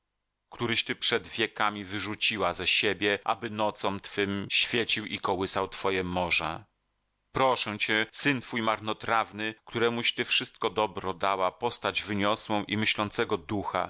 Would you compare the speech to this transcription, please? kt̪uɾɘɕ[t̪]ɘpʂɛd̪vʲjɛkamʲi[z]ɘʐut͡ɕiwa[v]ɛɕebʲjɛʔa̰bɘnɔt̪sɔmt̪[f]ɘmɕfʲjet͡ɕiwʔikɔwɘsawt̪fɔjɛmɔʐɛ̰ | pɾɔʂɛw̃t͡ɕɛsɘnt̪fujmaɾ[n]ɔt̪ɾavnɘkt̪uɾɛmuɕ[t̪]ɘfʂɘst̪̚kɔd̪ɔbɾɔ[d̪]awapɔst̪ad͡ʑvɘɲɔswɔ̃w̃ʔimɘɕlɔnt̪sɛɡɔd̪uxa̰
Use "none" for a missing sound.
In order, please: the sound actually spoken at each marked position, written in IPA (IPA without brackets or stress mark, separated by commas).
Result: t̪, v, z, f, n, t̪, d̪